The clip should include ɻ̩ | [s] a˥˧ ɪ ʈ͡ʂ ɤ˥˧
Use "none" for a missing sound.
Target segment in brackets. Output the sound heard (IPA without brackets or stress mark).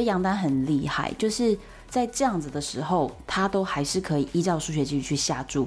t͡s